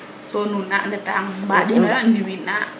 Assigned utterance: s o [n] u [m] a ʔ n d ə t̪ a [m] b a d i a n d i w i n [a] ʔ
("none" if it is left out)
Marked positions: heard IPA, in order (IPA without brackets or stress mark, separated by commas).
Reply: n, n, ŋ, a